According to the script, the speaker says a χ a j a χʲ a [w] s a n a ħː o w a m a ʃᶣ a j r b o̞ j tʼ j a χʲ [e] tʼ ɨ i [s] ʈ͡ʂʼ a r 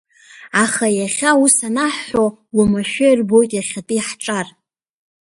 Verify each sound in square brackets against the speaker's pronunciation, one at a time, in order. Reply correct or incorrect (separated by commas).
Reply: incorrect, incorrect, incorrect